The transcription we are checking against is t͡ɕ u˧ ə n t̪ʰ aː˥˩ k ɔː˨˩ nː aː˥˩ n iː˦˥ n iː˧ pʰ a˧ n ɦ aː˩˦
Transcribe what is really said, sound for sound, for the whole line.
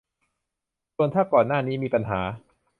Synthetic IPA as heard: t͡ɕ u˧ ə n t̪ʰ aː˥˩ k ɔː˨˩ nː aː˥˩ n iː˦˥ m iː˧ p a˧ n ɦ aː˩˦